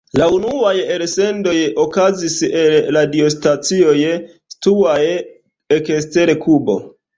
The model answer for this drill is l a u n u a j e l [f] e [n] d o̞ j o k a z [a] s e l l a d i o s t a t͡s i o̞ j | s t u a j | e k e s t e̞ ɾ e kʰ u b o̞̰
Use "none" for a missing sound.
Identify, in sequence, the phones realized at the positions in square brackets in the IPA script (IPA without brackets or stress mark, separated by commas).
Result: s, n, i